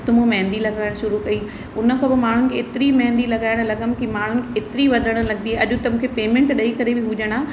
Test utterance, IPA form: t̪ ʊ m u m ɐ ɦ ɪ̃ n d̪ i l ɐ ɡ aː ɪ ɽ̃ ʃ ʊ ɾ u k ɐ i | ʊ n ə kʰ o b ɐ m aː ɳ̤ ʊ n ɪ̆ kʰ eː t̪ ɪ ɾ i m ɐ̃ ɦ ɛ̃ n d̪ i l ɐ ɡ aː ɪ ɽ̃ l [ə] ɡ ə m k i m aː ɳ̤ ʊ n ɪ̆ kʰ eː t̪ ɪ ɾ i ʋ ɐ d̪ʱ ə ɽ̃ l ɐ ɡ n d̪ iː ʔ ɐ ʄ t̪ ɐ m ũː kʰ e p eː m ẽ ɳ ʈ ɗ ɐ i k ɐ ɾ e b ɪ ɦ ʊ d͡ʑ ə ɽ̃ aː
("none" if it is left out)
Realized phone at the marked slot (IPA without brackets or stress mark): ɐ